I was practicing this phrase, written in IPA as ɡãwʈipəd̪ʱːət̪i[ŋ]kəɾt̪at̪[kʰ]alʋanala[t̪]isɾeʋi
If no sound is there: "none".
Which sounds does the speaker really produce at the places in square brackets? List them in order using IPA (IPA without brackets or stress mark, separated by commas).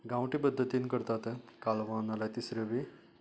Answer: n, k, t̪